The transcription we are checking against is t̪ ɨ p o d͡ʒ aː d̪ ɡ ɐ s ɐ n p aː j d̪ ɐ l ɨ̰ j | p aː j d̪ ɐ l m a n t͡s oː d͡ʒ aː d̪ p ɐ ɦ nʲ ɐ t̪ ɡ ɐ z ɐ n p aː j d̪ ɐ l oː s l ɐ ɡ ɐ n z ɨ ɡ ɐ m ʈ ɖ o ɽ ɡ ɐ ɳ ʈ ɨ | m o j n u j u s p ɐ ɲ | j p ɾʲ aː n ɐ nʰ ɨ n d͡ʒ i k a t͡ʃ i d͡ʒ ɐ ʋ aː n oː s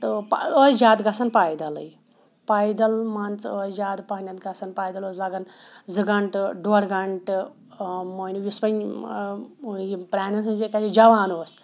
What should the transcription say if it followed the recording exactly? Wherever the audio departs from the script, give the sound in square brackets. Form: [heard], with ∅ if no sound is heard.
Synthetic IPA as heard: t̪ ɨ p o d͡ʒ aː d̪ ɡ ɐ s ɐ n p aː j d̪ ɐ l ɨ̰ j | p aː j d̪ ɐ l m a n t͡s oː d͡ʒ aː d̪ p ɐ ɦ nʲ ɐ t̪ ɡ ɐ [s] ɐ n p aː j d̪ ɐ l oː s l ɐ ɡ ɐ n z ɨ ɡ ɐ [ɳ] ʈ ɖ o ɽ ɡ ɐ ɳ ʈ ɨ | m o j n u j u s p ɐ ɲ | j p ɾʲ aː n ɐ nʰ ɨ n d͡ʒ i k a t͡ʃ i d͡ʒ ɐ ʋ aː n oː s